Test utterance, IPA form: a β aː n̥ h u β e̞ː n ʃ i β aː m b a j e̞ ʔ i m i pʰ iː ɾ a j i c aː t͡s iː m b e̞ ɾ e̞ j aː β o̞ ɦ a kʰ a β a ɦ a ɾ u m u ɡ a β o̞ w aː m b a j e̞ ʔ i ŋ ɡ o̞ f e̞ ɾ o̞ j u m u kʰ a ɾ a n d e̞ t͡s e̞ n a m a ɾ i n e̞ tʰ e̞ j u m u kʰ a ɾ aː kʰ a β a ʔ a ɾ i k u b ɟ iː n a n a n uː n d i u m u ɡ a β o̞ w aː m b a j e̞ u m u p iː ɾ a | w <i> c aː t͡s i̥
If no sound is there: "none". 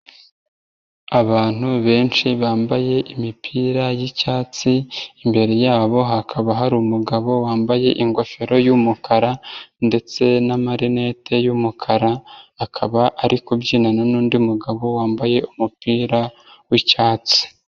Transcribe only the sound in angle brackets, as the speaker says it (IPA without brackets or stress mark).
i